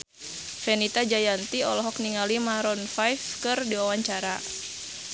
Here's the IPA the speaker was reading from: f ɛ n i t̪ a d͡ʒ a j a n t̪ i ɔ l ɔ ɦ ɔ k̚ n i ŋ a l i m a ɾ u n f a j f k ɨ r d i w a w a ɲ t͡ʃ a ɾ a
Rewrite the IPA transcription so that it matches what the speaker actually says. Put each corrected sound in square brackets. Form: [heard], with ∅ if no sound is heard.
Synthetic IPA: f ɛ n i t̪ a d͡ʒ a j a n t̪ i ɔ l ɔ ɦ ɔ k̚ n i ŋ a l i m a ɾ [ɔ] n f a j f k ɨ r d i w a w a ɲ t͡ʃ a ɾ a